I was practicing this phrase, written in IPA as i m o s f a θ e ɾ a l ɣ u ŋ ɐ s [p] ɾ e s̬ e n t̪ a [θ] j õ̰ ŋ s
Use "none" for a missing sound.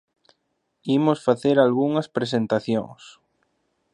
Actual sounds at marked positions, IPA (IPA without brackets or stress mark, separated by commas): p, θ